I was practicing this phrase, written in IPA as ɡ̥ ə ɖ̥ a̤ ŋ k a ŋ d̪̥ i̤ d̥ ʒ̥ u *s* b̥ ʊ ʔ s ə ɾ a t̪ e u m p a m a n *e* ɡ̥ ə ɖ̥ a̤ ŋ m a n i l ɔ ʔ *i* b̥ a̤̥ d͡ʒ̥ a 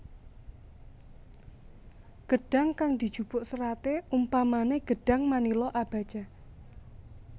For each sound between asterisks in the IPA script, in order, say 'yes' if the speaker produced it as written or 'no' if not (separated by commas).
no, yes, no